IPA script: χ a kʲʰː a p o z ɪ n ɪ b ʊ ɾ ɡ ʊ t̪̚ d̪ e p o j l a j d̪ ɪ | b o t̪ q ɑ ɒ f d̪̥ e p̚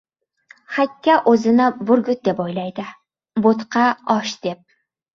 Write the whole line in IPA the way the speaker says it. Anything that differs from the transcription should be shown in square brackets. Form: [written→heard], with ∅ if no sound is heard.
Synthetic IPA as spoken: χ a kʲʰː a [p→ʔ] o z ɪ n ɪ b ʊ ɾ ɡ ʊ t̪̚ d̪ e p o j l a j d̪ ɪ | b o t̪ q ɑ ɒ [f→ʃ] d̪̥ e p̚